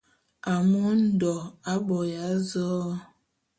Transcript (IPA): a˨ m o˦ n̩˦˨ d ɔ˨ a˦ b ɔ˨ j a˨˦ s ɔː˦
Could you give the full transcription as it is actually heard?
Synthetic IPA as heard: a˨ m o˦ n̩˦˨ d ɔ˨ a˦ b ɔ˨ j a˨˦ z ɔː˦